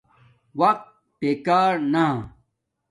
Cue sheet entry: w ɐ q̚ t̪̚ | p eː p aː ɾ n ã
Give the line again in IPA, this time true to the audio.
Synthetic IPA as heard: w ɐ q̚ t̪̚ | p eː k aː ɾ n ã